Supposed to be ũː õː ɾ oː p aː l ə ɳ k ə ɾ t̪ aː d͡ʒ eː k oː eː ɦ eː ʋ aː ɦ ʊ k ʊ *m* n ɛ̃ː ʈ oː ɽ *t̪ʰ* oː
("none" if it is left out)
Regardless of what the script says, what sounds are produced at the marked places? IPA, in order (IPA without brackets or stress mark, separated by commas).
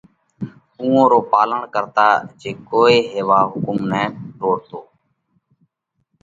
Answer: m, t̪